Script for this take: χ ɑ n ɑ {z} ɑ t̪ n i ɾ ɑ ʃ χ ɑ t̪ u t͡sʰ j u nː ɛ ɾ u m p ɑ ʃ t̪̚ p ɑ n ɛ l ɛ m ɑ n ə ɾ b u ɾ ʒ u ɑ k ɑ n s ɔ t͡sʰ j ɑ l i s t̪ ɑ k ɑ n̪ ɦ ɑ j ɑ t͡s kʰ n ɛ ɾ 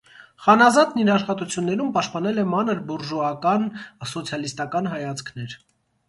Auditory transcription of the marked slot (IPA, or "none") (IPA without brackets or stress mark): z